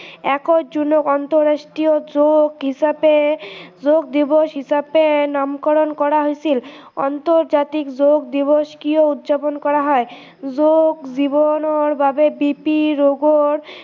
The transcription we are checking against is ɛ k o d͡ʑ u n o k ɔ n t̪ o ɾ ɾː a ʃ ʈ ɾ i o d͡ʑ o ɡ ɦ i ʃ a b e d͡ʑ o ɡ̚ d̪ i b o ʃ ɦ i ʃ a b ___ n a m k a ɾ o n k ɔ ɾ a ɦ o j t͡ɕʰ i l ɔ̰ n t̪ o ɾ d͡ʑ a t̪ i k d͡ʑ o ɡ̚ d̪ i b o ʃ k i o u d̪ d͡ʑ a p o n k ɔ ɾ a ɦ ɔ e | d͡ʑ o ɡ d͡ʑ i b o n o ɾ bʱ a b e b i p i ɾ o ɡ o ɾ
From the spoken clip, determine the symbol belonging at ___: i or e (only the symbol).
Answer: e